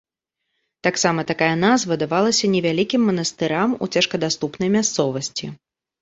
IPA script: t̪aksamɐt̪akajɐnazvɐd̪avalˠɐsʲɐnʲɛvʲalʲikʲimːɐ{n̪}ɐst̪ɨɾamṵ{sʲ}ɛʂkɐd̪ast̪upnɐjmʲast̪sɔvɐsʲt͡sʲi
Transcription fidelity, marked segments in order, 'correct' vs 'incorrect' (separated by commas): correct, incorrect